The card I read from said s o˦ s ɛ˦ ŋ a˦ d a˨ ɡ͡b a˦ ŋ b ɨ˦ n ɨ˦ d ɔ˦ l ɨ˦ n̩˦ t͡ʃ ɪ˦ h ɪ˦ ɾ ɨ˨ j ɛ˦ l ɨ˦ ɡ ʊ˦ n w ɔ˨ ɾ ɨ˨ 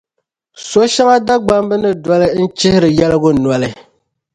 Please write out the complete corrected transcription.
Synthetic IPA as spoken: s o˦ ʃ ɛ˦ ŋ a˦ d a˦ ɡ͡b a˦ m b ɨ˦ n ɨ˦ d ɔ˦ l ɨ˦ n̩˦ t͡ʃ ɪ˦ h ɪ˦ ɾ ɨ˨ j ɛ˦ l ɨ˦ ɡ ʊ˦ n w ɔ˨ l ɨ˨